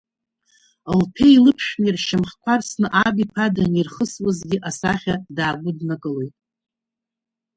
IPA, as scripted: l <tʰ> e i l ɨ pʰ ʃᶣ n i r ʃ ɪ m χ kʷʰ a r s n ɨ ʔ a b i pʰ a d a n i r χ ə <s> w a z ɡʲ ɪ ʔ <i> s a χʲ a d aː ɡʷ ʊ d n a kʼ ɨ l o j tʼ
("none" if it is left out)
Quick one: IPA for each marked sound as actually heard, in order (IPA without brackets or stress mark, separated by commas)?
pʰ, s, a